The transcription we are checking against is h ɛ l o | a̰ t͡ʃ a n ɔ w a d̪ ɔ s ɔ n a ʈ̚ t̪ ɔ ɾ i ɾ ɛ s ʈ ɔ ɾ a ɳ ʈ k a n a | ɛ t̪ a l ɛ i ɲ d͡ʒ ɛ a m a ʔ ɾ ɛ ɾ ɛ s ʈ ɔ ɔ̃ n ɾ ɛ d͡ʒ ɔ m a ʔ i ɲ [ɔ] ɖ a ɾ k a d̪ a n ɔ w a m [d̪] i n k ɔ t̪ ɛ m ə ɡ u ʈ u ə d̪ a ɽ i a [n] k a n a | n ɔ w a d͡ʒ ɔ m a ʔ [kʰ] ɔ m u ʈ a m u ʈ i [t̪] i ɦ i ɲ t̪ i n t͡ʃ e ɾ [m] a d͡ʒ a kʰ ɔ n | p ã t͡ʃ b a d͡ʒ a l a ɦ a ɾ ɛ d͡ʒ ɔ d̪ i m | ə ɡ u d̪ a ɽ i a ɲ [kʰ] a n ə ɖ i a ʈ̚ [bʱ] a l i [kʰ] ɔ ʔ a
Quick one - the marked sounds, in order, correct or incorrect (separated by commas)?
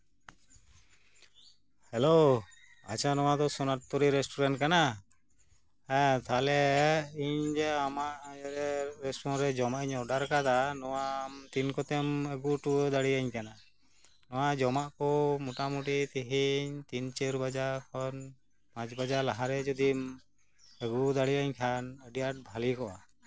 correct, incorrect, incorrect, incorrect, correct, incorrect, correct, correct, incorrect